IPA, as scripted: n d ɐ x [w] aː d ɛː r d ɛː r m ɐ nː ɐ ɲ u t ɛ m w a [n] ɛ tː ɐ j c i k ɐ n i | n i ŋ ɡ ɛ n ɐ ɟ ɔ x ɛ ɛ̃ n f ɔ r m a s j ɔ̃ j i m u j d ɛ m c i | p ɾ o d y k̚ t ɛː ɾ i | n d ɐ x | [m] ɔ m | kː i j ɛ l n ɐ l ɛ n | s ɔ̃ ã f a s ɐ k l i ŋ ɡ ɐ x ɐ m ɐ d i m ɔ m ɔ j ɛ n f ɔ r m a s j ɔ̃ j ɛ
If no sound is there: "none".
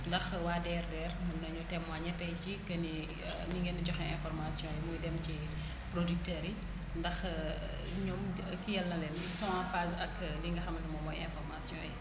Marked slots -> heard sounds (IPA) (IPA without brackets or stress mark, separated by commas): w, ɲ, ɲ